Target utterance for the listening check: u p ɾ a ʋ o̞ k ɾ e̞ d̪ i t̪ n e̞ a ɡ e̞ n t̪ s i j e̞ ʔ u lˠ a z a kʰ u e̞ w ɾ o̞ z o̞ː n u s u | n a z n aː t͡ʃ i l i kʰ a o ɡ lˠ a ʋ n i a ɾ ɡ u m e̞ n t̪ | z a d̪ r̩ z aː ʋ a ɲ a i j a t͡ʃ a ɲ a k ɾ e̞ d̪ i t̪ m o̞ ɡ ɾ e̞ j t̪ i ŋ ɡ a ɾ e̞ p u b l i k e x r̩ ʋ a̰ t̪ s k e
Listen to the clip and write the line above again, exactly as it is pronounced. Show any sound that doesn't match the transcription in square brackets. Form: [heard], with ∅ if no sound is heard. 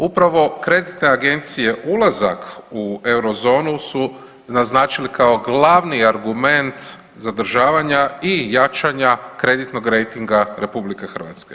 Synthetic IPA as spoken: u p ɾ a ʋ o̞ k ɾ e̞ d̪ i t̪ n e̞ a ɡ e̞ n t̪ s i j e̞ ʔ u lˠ a z a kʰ u e̞ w ɾ o̞ z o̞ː n u s u | n a z n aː t͡ʃ i l i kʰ a o ɡ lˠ a ʋ n i a ɾ ɡ u m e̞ n t̪ | z a d̪ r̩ [ʒ] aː ʋ a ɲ a i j a t͡ʃ a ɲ a k ɾ e̞ d̪ i t̪ [n] o̞ ɡ ɾ e̞ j t̪ i ŋ ɡ a ɾ e̞ p u b l i k e x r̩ ʋ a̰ t̪ s k e